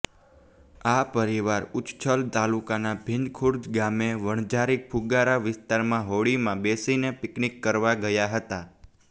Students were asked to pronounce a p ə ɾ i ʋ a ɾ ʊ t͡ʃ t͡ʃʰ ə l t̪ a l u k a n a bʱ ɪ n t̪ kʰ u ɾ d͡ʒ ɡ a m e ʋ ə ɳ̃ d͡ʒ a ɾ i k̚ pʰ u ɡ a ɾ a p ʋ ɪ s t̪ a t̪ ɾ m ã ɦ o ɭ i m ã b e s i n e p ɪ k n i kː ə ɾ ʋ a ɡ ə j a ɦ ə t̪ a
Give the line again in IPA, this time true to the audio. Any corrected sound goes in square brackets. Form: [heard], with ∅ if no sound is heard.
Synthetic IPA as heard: a p ə ɾ i ʋ a ɾ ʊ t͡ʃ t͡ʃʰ ə l t̪ a l u k a n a bʱ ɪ n [d̪] kʰ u ɾ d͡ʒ ɡ a m e ʋ ə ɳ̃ d͡ʒ a ɾ i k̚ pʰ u ɡ a ɾ a [∅] ʋ ɪ s t̪ a [∅] ɾ m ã ɦ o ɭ i m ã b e s i n e p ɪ k n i kː ə ɾ ʋ a ɡ ə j a ɦ ə t̪ a